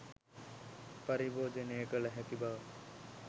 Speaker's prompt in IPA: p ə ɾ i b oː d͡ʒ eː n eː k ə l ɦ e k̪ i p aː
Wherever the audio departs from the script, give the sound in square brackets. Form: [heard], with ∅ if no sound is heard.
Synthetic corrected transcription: p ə ɾ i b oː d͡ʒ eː n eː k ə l ɦ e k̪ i [b] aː